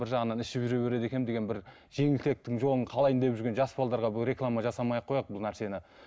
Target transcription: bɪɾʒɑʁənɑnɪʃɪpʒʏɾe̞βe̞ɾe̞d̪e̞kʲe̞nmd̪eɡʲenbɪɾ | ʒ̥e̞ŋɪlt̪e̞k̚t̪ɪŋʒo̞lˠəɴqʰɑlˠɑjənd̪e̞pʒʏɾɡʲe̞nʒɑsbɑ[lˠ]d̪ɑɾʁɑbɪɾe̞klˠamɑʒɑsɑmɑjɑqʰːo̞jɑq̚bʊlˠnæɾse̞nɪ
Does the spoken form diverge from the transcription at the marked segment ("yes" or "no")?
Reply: no